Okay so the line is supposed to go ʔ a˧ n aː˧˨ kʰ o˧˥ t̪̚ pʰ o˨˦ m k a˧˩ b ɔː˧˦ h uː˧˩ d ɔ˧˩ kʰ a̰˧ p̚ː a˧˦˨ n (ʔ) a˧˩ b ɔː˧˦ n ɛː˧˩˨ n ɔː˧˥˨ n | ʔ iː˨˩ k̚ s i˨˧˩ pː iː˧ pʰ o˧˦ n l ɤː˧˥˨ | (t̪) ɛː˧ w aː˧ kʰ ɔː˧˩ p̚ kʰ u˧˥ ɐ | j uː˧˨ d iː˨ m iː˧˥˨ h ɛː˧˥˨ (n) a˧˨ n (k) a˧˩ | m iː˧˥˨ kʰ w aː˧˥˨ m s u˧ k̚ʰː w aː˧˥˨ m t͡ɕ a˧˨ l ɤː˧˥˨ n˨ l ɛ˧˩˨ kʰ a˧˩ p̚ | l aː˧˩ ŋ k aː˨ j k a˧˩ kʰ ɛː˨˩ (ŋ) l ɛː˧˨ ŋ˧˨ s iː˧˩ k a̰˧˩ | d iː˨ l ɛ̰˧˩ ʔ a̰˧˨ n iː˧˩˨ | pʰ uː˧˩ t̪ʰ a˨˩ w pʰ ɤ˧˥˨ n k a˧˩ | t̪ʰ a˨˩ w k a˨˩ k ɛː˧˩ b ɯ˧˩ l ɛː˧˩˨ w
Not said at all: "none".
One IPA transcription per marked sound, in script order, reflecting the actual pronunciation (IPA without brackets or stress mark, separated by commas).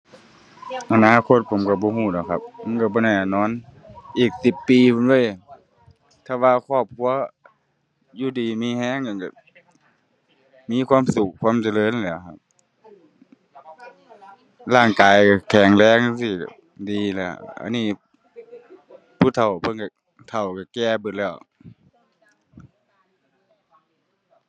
k, t̪ʰ, ŋ, k, ŋ